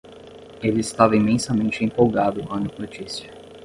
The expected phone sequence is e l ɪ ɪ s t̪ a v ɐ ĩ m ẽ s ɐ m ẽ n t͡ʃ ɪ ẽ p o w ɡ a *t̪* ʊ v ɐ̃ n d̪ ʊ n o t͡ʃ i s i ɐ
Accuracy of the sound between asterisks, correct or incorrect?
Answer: incorrect